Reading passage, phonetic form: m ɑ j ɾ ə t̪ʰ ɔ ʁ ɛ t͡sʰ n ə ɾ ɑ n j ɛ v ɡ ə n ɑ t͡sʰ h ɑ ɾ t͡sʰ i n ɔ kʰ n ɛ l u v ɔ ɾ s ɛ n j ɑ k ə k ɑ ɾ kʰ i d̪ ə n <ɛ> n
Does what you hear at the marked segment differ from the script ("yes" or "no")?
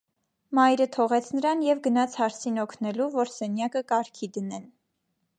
no